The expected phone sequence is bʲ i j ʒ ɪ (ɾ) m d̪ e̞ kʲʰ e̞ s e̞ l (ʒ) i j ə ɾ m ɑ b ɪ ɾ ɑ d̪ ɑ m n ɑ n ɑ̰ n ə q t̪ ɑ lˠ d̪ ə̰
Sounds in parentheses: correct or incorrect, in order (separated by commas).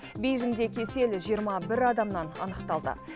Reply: incorrect, correct